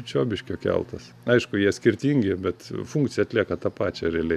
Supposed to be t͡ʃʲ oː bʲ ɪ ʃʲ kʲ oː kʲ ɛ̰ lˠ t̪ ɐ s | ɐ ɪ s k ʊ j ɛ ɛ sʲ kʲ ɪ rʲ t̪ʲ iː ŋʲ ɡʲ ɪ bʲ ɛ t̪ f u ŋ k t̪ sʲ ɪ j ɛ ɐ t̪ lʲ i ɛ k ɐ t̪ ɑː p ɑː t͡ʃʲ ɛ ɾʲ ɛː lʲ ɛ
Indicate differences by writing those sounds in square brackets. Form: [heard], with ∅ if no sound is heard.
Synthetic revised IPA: t͡ʃʲ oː bʲ ɪ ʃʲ kʲ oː kʲ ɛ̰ lˠ t̪ ɐ s | ɐ ɪ [ʃ] k ʊ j [i] ɛ sʲ kʲ ɪ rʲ t̪ʲ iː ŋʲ ɡʲ ɪ bʲ ɛ t̪ f u ŋ k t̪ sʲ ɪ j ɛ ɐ t̪ lʲ i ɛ k ɐ t̪ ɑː p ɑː t͡ʃʲ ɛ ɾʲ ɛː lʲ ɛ